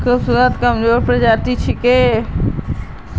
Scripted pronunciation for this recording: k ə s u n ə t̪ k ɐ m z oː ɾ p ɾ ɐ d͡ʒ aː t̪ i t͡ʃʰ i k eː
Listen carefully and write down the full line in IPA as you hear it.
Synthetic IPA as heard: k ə s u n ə t̪ k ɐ m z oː ɾ p ɾ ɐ d͡ʒ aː t̪ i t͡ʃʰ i k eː